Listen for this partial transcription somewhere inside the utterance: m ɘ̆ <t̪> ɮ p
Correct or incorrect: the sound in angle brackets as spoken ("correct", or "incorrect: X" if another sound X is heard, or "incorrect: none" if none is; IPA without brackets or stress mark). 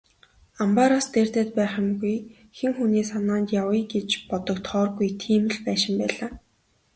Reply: incorrect: none